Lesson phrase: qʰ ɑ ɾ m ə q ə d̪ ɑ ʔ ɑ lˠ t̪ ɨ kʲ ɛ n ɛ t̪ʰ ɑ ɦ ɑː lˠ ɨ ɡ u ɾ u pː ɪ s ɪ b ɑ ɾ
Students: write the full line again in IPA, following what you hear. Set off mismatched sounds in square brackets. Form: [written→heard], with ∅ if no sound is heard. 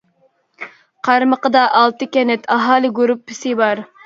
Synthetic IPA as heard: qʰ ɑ ɾ m ə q ə d̪ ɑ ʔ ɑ lˠ t̪ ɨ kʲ ɛ n ɛ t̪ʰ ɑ ɦ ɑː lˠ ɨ ɡ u ɾ u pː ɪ s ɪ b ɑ ɾ